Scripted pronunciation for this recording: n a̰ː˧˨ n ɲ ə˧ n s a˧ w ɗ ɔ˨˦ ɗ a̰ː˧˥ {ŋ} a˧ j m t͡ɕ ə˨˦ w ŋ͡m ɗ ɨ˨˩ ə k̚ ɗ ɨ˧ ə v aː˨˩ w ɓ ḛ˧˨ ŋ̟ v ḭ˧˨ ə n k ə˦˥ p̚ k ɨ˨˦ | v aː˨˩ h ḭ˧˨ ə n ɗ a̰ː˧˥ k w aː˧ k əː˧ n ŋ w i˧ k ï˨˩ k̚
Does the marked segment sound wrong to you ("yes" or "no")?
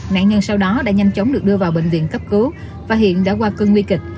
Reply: yes